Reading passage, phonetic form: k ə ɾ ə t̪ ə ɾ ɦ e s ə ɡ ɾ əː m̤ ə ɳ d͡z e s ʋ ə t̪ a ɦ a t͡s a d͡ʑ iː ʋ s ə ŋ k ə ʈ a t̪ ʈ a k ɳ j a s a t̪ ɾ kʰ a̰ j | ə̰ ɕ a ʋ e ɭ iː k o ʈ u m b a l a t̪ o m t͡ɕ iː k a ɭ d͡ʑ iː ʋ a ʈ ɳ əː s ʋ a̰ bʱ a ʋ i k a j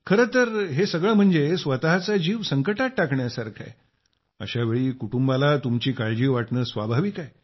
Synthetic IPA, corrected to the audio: kʰ ə ɾ ə t̪ ə ɾ ɦ e s ə ɡ ɭ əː m̤ ə ɳ d͡z e s ʋ ə t̪ a ɦ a t͡s a d͡ʑ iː ʋ s ə ŋ k ə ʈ a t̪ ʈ a k ɳ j a s a ɾ kʰ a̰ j | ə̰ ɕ a ʋ e ɭ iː k u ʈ u m b a l a t̪ u m t͡ɕ iː k a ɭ d͡ʑ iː ʋ a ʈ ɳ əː s ʋ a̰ bʱ a ʋ i k a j